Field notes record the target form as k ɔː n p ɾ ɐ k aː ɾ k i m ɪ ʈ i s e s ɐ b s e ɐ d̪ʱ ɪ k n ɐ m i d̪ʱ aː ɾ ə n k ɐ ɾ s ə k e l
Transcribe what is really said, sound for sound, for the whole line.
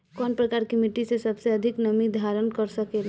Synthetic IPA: k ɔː n p ɾ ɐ k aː ɾ k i m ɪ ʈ i s e s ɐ b s e ɐ d̪ʱ ɪ k n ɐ m i d̪ʱ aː ɾ ə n k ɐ ɾ s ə k e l